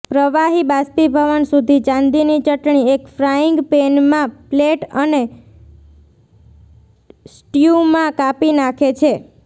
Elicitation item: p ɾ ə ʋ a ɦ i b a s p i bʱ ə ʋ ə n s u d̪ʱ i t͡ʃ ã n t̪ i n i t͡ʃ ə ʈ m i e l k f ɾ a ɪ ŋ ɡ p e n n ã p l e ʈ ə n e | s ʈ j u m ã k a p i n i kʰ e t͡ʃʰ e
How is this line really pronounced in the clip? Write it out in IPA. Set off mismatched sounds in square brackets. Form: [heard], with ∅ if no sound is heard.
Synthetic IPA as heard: p ɾ ə ʋ a ɦ i b a s p i bʱ ə ʋ ə n s u d̪ʱ i t͡ʃ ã n [d̪] i n i t͡ʃ ə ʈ [ɳ] i e [∅] k f ɾ a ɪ ŋ ɡ p e n [m] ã p l e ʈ ə n e | s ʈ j u m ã k a p i n [a] kʰ e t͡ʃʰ e

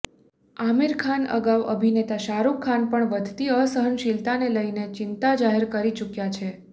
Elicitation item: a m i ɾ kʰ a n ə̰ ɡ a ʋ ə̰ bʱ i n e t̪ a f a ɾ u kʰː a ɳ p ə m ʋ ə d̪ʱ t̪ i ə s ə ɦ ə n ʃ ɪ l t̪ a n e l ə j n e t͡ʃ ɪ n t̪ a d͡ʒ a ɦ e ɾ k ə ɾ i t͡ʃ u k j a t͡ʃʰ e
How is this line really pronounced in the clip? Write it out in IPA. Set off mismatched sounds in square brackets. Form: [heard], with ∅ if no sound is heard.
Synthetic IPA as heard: a m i ɾ kʰ a n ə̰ ɡ a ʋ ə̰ bʱ i n e t̪ a [ʃ] a ɾ u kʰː a [n] p ə [ɳ] ʋ ə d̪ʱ t̪ i ə s ə ɦ ə n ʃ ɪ l t̪ a n e l ə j n e t͡ʃ ɪ n t̪ a d͡ʒ a ɦ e ɾ k ə ɾ i t͡ʃ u k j a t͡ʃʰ e

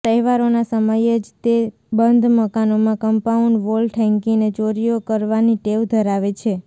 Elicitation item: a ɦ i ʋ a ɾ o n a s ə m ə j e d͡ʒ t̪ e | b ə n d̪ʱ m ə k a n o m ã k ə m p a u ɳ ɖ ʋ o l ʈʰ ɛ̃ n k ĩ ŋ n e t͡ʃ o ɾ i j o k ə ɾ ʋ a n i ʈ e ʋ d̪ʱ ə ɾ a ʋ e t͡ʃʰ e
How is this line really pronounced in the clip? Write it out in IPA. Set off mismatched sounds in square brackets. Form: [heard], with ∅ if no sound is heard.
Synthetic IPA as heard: [ə] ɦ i ʋ a ɾ o n a s ə m ə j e d͡ʒ t̪ e | b ə n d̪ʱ m ə k a n o m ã k ə m p a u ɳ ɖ ʋ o l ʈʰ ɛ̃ [ŋ] k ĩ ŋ n e t͡ʃ o ɾ i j o k ə ɾ ʋ a n i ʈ e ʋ d̪ʱ ə ɾ a ʋ e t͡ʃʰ e

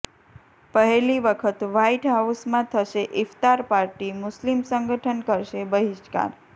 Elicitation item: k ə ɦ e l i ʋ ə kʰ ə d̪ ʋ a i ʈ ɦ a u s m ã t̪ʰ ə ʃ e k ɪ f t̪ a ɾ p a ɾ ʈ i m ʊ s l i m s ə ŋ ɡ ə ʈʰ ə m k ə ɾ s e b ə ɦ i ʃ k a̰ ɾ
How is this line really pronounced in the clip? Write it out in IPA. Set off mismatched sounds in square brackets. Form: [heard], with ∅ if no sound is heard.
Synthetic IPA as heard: [p] ə ɦ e l i ʋ ə kʰ ə [t̪] ʋ a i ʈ ɦ a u s m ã t̪ʰ ə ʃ e [ʔ] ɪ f t̪ a ɾ p a ɾ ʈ i m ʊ s l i m s ə ŋ ɡ ə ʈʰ ə [n] k ə ɾ [ʃ] e b ə ɦ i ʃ k a̰ ɾ

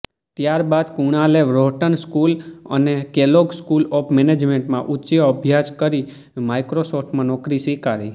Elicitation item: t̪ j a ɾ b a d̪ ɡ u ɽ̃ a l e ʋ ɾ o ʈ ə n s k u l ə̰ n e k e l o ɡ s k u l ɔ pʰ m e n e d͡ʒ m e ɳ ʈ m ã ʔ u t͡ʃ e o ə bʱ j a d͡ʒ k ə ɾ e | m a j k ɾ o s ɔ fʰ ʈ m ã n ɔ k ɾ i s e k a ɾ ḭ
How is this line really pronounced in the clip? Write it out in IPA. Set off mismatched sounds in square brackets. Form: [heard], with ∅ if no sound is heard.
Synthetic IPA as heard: t̪ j a ɾ b a d̪ [k] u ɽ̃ a l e ʋ ɾ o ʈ ə n s k u l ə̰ n e k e l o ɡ s k u l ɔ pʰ m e n e d͡ʒ m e ɳ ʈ m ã ʔ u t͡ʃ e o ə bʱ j a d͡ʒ k ə ɾ [i] | m a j k ɾ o s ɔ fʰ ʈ m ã n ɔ k ɾ i s [i] k a ɾ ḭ

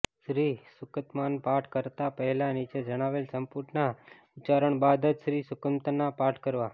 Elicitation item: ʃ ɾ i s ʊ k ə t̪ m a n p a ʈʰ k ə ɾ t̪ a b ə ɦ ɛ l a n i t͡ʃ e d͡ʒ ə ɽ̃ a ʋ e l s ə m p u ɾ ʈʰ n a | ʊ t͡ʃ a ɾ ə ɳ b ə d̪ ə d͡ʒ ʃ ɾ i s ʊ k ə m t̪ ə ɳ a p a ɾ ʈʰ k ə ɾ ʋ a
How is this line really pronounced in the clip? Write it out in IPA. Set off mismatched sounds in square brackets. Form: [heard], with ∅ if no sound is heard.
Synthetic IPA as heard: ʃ ɾ i s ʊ k ə t̪ m a n p a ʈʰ k ə ɾ t̪ a [p] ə ɦ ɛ l a n i t͡ʃ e d͡ʒ ə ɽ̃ a ʋ e l s ə m p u ɾ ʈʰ n a | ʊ t͡ʃ a ɾ ə ɳ b [a] d̪ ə d͡ʒ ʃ ɾ i s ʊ k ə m t̪ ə [n] a p a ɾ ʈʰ k ə ɾ ʋ a

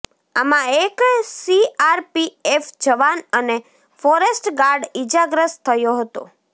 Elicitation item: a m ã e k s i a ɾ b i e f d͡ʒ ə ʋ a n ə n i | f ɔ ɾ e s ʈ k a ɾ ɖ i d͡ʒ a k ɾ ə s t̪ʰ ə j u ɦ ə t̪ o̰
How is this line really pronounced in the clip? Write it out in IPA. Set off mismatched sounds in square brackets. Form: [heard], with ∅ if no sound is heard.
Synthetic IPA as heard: a m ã e k s i a ɾ [p] i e f d͡ʒ ə ʋ a n ə n [e] | f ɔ ɾ e s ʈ [ɡ] a ɾ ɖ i d͡ʒ a [ɡ] ɾ ə s t̪ʰ ə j [o] ɦ ə t̪ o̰

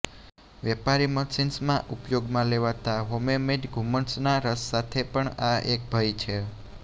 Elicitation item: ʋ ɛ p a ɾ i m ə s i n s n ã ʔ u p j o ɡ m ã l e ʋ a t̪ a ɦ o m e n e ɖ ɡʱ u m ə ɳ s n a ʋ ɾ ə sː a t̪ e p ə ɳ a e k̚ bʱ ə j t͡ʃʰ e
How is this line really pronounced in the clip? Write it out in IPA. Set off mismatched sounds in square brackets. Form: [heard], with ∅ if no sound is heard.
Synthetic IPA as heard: ʋ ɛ p a ɾ i m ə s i n s [m] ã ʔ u p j o ɡ m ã l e ʋ a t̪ a ɦ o m e [m] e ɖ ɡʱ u m ə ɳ s n a [∅] ɾ ə sː a [t̪ʰ] e p ə ɳ a e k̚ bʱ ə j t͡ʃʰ e

